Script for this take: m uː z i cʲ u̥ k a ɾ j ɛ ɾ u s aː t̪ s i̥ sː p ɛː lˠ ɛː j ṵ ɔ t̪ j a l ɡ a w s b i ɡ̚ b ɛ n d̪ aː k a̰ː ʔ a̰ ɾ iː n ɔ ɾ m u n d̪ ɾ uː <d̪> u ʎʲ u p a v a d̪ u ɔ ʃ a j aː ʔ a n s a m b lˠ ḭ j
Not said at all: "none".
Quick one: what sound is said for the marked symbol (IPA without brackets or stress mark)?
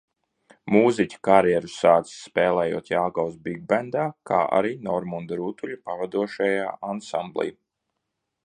t̪